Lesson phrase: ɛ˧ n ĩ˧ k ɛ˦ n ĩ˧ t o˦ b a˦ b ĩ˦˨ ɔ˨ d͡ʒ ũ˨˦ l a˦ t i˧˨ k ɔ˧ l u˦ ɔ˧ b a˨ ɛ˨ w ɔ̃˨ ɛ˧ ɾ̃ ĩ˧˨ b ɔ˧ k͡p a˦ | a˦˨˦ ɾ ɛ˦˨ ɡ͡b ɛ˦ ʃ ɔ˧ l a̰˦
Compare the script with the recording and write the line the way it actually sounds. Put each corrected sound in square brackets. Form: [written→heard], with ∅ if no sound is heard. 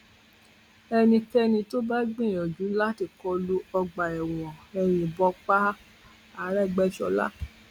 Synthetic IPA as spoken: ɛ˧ n ĩ˧ k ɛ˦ n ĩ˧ t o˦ b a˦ [b→ɡ͡b] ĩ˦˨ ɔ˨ d͡ʒ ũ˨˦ l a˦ t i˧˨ k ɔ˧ l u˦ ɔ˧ [b→ɡ͡b] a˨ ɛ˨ w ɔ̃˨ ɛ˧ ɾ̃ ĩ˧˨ b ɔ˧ k͡p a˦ | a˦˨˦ ɾ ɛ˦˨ ɡ͡b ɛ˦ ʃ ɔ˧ l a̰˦

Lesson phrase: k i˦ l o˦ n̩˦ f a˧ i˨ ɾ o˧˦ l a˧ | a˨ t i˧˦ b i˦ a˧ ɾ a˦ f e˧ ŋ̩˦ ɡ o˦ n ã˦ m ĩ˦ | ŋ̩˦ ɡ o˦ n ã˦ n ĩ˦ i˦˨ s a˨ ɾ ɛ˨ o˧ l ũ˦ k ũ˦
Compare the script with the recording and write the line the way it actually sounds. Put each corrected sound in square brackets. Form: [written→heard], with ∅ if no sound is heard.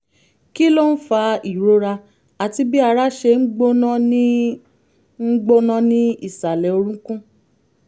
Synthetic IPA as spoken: k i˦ l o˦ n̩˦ f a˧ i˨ ɾ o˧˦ [l→ɾ] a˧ | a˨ t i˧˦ b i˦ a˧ ɾ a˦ [f→ʃ] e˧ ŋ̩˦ [ɡ→ɡ͡b] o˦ n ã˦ [m→n] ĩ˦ | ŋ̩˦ [ɡ→ɡ͡b] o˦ n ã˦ n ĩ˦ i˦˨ s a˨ [ɾ→l] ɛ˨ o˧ [l→ɾ] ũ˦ k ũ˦

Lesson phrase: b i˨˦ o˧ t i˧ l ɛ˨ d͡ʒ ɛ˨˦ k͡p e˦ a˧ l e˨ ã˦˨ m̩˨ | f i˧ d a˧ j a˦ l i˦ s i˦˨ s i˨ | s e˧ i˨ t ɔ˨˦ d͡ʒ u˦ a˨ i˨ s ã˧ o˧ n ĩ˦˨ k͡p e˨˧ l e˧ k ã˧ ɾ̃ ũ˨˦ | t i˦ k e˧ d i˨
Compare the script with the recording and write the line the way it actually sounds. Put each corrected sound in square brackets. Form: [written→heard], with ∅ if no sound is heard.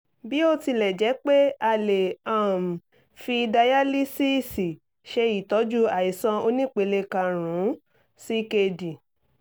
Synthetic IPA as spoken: b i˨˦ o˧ t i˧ l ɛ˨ d͡ʒ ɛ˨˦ k͡p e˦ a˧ l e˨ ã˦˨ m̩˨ | f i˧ d a˧ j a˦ l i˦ s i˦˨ s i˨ | [s→ʃ] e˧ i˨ t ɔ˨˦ d͡ʒ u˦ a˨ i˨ s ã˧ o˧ n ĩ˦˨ k͡p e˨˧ l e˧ k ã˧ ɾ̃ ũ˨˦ | [t→s] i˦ k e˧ d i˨

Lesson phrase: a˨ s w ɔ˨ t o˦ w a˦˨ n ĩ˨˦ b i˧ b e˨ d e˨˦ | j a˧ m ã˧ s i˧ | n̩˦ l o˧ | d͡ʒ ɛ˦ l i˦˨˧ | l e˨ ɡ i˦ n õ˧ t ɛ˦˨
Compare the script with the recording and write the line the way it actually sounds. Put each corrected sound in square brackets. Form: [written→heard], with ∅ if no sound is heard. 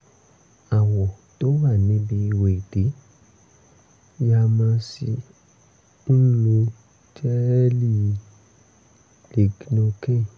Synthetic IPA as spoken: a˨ [s→∅] w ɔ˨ t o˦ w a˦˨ n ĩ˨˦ b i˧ [b→w] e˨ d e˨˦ | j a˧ m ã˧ s i˧ | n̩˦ l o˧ | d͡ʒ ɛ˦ l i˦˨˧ | l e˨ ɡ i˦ n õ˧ [t→k] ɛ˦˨

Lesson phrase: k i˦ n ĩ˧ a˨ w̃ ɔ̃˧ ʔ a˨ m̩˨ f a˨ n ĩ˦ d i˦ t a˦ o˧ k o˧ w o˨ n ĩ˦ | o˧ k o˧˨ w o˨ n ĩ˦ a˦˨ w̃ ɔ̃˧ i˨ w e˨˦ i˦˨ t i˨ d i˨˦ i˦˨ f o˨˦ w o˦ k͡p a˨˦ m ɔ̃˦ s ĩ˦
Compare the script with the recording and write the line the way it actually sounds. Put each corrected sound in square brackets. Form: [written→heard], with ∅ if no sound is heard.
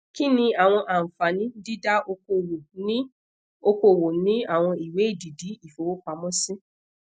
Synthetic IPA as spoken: k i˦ n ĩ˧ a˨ w̃ ɔ̃˧ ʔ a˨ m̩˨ f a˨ n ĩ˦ d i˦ [t→d] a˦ o˧ k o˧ w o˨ n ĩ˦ | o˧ k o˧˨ w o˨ n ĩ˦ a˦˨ w̃ ɔ̃˧ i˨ w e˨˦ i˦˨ [t→d] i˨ d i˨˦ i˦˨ f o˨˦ w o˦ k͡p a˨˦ m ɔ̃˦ s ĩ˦

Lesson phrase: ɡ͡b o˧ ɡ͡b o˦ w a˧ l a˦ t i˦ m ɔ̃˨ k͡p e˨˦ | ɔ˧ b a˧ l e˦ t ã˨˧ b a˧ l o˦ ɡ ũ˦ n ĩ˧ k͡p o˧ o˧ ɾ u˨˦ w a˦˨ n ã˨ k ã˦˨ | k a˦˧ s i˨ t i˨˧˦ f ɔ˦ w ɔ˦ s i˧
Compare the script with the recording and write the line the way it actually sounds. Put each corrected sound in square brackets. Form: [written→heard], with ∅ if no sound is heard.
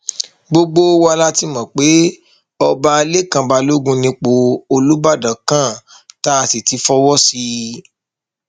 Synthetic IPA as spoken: ɡ͡b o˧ ɡ͡b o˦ w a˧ l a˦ t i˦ m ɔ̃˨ k͡p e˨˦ | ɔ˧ b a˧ l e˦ [t→k] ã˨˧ b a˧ l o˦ ɡ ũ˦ n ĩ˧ k͡p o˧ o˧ [ɾ→l] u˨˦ [w→b] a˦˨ [n→d] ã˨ k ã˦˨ | [k→t] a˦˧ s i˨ t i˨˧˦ f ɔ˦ w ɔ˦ s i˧

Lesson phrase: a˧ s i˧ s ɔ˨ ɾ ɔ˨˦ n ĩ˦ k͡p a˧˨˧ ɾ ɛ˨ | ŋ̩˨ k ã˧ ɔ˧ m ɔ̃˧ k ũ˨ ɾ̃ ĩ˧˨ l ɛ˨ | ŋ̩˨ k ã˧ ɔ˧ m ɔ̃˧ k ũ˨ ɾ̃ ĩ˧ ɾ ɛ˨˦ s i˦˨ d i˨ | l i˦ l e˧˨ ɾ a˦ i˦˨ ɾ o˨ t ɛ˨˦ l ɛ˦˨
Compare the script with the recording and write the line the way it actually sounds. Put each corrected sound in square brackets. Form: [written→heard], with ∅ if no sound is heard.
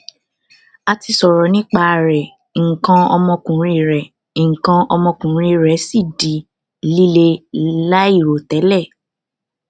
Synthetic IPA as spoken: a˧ [s→t] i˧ s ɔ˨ ɾ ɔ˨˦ n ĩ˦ k͡p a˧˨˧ ɾ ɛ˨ | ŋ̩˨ k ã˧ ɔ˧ m ɔ̃˧ k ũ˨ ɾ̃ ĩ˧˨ [l→ɾ] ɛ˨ | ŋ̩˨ k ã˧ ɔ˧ m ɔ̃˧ k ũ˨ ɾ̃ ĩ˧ ɾ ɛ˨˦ s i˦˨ d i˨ | l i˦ l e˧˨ [ɾ→l] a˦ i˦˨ ɾ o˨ t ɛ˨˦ l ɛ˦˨

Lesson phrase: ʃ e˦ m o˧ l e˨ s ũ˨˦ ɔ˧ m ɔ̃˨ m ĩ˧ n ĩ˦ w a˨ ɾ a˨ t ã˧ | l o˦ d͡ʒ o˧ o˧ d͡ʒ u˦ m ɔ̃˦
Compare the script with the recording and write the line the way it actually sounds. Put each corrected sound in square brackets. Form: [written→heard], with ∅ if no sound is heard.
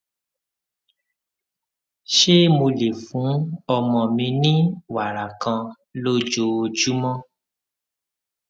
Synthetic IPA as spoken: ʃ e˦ m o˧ l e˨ [s→f] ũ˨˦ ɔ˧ m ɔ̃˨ m ĩ˧ n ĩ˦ w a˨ ɾ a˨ [t→k] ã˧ | l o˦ d͡ʒ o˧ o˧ d͡ʒ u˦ m ɔ̃˦

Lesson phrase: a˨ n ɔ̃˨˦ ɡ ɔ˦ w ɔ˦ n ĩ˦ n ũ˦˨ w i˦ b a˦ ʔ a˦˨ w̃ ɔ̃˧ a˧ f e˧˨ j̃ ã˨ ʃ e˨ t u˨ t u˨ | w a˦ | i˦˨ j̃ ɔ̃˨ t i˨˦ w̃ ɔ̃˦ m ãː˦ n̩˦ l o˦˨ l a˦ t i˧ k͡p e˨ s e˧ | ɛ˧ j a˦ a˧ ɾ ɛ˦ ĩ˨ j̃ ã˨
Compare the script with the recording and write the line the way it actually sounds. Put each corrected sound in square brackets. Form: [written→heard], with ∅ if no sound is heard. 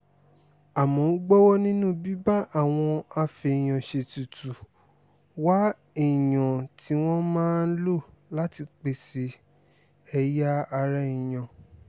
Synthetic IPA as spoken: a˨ [n→m] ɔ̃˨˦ [ɡ→ɡ͡b] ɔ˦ w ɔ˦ n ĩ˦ n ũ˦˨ [w→b] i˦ b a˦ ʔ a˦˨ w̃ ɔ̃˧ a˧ f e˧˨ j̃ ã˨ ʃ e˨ t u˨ t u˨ | w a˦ | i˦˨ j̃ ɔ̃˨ t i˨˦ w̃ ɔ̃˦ m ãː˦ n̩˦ l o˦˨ l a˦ t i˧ k͡p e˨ s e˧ | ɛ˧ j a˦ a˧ ɾ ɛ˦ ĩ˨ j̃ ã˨

